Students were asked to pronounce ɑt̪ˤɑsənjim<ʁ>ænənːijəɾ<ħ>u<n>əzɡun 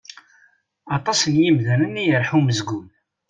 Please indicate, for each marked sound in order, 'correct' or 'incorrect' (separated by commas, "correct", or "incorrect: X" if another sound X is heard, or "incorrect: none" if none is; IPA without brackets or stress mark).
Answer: incorrect: ð, correct, incorrect: m